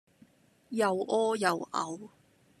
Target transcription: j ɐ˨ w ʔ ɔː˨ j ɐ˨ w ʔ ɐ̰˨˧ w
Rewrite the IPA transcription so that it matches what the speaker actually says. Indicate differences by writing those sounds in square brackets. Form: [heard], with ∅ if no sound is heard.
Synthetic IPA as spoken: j ɐ˨ w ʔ [ɔː˥] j ɐ˨ w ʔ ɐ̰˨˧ w

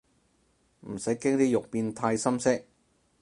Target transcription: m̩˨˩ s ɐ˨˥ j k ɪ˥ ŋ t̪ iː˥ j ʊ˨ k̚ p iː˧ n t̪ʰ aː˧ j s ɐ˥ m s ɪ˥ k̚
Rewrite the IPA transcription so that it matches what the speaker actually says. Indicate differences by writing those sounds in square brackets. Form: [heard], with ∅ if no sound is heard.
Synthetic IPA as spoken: m̩˨˩ s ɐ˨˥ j k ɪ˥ ŋ t̪ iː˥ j ʊ˨ k̚ p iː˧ n t̪ʰ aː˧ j s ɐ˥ m s ɪ˥ k̚

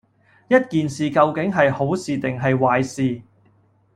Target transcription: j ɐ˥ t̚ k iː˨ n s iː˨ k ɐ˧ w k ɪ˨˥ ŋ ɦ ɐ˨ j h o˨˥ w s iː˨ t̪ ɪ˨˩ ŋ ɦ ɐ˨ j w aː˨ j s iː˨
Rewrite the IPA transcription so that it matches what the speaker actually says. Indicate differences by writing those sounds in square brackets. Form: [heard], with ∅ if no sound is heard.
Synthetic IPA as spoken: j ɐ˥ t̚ k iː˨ n s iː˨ k ɐ˧ w k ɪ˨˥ ŋ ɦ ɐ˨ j h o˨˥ w s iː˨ t̪ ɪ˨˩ ŋ ɦ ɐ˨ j w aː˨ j s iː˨

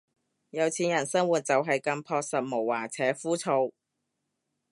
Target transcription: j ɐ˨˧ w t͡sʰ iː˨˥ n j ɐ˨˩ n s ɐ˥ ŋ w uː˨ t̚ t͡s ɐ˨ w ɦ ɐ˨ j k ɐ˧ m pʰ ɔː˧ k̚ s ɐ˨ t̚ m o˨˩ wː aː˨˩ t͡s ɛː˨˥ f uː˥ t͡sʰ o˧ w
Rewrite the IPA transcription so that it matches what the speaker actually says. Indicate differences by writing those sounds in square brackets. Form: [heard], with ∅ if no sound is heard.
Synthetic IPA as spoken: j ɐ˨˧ w t͡sʰ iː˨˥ n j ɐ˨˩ n s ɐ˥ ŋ w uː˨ t̚ t͡s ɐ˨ w ɦ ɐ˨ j k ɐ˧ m pʰ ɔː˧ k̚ s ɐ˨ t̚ m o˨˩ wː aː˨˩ [t͡sʰ] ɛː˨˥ f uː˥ t͡sʰ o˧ w

